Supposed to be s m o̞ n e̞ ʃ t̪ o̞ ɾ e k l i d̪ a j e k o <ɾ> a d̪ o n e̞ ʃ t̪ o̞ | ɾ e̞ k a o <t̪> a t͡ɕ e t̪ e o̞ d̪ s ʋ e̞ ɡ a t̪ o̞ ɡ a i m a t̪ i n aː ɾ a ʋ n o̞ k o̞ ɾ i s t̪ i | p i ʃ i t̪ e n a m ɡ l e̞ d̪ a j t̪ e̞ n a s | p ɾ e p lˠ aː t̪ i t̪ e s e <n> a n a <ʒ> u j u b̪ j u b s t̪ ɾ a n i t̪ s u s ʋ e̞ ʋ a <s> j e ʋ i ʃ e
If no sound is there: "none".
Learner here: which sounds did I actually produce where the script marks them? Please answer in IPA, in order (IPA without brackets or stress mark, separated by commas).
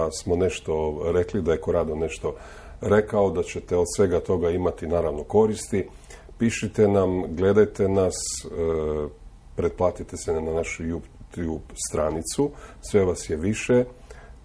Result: ɾ, d̪, n, ʃ, s